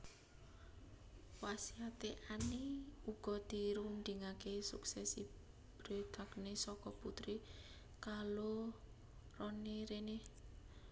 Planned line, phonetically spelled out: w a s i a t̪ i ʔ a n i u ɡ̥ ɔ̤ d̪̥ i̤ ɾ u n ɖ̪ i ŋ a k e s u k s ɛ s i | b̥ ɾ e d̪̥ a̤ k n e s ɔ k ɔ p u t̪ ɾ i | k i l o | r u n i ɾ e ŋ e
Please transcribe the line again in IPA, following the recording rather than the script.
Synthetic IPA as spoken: w a s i a t̪ e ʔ a n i u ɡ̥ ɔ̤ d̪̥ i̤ ɾ u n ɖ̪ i ŋ a k e s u k s ɛ s i | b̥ ɾ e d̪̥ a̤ k n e s ɔ k ɔ p u t̪ ɾ i | k a l o | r ɔ n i ɾ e n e

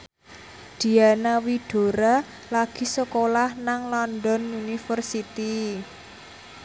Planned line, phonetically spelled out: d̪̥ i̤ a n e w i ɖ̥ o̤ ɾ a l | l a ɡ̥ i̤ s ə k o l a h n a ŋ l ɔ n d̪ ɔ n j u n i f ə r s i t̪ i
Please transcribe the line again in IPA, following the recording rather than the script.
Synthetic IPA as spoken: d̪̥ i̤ a n a w i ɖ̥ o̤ ɾ a | l a ɡ̥ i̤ s ə k o l a h n a ŋ l ɔ n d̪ ɔ n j u n i f ə r s i t̪ i

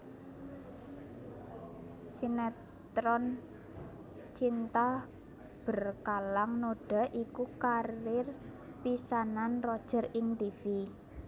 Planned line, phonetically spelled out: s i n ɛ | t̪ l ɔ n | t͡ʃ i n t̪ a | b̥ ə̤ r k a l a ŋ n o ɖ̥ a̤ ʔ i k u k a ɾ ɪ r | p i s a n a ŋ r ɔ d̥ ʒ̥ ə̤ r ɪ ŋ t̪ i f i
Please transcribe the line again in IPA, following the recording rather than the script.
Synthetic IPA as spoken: s i n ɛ | t̪ ɾ ɔ n | t͡ʃ i n t̪ a | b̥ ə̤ r k a l a ŋ n o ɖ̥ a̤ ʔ i k u k a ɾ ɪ r | p i s a n a n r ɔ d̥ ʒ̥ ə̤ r ɪ ŋ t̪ i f i

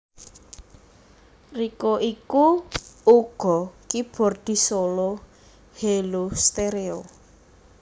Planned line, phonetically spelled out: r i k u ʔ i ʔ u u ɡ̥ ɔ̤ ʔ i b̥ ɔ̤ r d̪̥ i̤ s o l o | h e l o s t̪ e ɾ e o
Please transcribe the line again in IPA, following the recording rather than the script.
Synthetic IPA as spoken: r i k o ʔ i k u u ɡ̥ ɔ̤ k i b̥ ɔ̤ r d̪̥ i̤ s o l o | h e l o s t̪ e ɾ e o

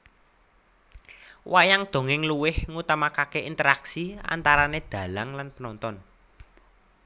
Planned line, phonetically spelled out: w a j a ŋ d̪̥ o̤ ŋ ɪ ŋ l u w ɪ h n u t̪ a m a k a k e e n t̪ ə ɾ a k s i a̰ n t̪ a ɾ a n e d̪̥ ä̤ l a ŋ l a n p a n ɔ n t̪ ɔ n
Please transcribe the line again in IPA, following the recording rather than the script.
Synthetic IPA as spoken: w a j a ŋ d̪̥ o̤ ŋ ɪ ŋ l u w ɪ h ŋ u t̪ a m a k a k e i n t̪ ə ɾ a k s i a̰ n t̪ a ɾ a n e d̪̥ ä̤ l a ŋ l a n p ə n ɔ n t̪ ɔ n

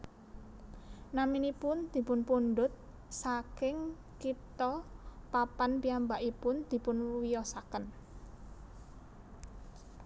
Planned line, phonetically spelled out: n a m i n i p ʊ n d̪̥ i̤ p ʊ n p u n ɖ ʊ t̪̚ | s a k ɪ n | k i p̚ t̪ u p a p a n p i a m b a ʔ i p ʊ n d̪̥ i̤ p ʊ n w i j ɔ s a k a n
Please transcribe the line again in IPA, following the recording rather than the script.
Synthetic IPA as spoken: n a m i n i p ʊ n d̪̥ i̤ p ʊ n p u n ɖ ʊ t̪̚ | s a k ɪ ŋ | k i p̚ t̪ ɔ p a p a n p i a m b a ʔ i p ʊ n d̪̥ i̤ p ʊ n w i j ɔ s a k ə n

